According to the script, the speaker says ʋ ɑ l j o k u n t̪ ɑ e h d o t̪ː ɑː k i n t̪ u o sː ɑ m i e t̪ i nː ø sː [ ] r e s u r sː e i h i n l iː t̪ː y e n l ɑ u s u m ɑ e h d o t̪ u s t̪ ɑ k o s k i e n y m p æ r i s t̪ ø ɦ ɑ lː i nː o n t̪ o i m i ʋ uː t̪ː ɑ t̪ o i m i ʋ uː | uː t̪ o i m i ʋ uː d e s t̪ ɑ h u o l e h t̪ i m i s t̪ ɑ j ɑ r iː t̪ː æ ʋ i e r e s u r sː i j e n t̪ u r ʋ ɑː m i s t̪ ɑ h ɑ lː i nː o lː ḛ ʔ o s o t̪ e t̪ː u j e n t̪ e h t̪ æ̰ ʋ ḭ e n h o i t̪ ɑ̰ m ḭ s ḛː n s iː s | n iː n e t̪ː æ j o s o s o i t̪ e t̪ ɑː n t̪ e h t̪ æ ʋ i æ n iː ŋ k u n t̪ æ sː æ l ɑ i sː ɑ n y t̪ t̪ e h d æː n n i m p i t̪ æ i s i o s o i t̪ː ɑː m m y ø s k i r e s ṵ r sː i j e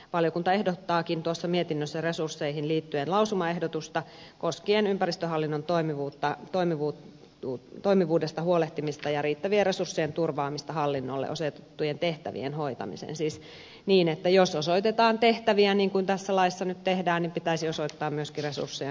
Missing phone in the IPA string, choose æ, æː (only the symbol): æ